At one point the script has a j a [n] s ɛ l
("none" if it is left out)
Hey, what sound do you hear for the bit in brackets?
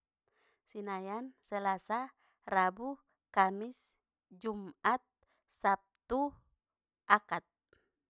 n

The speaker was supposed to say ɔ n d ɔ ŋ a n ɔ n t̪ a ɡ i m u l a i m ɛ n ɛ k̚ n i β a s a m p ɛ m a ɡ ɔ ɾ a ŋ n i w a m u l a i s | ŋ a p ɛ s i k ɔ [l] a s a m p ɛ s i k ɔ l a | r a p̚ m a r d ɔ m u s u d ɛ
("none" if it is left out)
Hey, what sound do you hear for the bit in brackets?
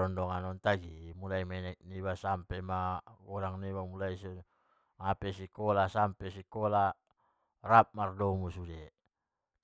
l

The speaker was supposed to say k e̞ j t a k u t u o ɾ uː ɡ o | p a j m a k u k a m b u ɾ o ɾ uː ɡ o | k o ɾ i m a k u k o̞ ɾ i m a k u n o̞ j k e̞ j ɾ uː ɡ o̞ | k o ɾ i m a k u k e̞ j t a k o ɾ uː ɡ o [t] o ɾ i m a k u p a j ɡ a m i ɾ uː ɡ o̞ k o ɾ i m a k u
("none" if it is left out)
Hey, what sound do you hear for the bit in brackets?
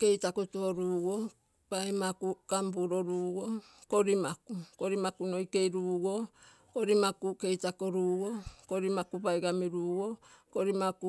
k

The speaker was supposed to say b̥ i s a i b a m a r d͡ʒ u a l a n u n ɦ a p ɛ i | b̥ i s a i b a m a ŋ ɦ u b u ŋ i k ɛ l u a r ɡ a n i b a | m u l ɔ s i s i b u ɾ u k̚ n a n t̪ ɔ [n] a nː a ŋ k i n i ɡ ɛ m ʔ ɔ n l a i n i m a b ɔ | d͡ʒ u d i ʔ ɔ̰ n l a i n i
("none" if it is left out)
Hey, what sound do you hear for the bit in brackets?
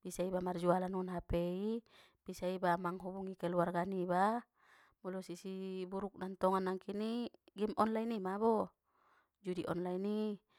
ŋ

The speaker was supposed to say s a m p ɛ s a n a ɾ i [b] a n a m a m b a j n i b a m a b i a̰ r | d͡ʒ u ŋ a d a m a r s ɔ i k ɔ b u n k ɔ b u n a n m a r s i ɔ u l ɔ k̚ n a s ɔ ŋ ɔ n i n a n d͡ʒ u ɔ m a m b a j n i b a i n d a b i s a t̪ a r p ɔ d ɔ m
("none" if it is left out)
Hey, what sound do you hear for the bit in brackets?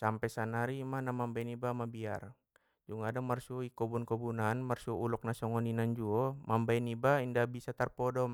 m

